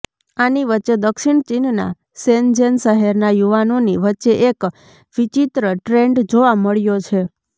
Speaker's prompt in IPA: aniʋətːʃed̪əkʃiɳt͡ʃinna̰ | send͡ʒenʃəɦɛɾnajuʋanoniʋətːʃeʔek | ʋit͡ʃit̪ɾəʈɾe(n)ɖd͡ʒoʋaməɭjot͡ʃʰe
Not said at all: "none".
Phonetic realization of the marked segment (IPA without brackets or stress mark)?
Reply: ɳ